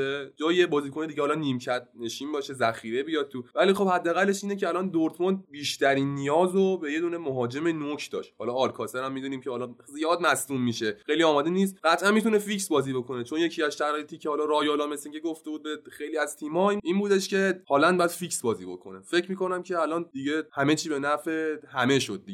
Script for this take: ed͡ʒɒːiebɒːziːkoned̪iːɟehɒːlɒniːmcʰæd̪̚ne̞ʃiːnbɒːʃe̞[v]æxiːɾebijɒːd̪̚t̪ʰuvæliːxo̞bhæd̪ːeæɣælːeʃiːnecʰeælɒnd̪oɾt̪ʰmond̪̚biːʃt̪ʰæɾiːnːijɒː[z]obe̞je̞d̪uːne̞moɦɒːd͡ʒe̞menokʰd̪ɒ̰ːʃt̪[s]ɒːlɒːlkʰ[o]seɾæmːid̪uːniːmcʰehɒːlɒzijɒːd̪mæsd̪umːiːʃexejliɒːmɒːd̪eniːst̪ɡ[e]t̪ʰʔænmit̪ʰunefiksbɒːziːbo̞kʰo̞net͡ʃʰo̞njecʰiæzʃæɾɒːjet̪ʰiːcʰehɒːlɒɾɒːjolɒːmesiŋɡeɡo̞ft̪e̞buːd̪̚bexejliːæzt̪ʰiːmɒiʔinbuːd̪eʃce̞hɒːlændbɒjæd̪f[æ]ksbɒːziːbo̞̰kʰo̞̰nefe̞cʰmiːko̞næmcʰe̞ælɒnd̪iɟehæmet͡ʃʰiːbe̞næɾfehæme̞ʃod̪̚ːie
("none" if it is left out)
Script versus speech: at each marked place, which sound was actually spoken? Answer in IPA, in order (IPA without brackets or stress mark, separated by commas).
z, z, h, ɒ, æ, i